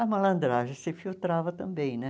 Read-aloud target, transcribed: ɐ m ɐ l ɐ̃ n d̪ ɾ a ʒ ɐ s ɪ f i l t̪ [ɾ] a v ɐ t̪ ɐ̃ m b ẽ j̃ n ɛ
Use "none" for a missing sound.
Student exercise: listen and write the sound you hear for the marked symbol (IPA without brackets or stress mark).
ɾ